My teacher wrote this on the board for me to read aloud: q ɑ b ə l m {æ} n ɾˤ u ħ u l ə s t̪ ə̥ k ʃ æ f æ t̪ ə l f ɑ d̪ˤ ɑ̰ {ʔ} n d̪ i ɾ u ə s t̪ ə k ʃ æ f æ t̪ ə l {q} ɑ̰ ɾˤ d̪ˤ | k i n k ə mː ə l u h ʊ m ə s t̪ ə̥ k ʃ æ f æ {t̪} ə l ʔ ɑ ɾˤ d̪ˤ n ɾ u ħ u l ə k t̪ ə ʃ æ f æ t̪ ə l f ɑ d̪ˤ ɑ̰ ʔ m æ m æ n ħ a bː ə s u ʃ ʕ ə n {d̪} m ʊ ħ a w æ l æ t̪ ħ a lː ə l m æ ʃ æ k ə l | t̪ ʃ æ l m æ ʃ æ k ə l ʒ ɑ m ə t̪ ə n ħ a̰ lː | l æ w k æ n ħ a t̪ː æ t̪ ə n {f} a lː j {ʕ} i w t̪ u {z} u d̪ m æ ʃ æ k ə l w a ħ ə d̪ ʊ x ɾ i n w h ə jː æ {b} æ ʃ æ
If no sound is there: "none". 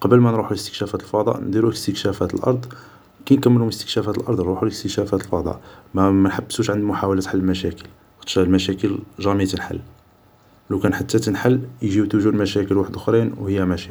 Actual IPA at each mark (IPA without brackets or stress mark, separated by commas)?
æ, ʔ, ʔ, t̪, d̪, ħ, ʒ, ʒ, m